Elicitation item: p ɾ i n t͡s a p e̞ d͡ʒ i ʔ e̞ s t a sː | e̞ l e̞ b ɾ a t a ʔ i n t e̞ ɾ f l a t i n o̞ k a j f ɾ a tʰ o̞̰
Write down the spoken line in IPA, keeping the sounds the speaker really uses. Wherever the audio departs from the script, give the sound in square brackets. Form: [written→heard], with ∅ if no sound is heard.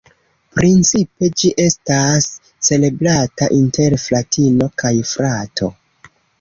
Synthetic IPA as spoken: p ɾ i n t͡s [a→i] p e̞ d͡ʒ i ʔ e̞ s t a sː | e̞ l e̞ b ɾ a t a ʔ i n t e̞ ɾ f l a t i n o̞ k a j f ɾ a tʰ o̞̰